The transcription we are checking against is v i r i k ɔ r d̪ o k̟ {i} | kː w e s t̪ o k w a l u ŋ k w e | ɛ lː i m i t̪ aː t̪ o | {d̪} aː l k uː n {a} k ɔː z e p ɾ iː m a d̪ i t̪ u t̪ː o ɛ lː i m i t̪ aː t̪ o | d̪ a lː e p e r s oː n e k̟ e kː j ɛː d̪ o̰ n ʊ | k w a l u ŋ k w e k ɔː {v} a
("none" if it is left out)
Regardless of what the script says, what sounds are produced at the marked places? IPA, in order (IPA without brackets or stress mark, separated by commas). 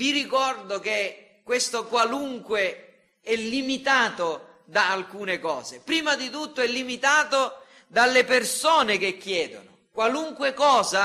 e, d̪, e, z